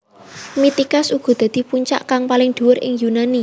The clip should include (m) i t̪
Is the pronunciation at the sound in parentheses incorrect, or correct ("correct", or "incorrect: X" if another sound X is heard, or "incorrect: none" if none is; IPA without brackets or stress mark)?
correct